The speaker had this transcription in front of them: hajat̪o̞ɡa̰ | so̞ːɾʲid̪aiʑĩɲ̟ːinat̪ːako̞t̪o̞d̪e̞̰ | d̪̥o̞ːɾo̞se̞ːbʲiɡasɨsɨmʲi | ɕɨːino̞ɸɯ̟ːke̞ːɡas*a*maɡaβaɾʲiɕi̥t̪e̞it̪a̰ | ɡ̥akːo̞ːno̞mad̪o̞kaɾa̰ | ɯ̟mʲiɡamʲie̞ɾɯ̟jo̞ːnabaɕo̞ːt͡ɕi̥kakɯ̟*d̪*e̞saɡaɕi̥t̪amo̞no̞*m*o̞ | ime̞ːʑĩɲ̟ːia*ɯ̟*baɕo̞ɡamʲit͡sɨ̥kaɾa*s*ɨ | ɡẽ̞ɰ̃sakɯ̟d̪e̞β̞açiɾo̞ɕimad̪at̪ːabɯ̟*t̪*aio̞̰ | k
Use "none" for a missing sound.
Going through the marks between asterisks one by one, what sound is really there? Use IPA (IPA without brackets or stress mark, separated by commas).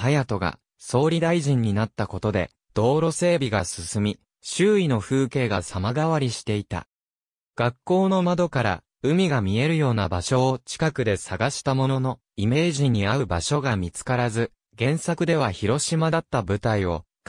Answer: a, d̪, n, ɯ̟, z, t̪